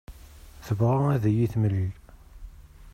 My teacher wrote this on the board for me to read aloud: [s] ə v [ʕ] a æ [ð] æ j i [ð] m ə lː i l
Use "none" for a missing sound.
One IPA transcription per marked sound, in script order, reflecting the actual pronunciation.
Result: θ, ʁ, ð, θ

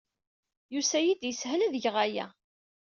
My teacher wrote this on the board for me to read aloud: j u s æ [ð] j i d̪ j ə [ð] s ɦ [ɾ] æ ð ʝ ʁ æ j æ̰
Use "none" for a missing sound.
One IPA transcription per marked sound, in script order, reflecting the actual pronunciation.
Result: none, none, l

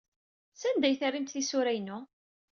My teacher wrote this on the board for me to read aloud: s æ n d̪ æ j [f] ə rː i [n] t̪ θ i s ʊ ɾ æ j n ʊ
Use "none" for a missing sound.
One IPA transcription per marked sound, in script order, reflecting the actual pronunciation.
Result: θ, m

